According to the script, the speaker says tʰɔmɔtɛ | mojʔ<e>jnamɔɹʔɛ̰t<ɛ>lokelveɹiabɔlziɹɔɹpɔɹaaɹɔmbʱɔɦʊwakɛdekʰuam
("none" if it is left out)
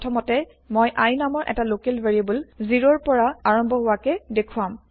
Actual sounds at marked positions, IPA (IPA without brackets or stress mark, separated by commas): a, a